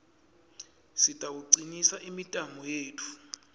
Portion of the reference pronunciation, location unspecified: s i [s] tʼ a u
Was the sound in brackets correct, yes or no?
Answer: no